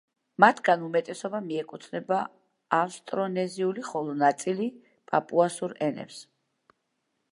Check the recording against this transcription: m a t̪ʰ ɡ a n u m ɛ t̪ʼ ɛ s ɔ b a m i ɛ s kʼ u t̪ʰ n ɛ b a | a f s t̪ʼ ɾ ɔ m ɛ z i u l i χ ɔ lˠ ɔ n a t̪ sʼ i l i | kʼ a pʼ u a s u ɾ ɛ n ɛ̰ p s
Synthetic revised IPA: m a t̪ʰ ɡ a n u m ɛ t̪ʼ ɛ s ɔ b a m i ɛ kʼ u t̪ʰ n ɛ b a | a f s t̪ʼ ɾ ɔ n ɛ z i u l i χ ɔ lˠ ɔ n a t̪ sʼ i l i | pʼ a pʼ u a s u ɾ ɛ n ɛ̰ p s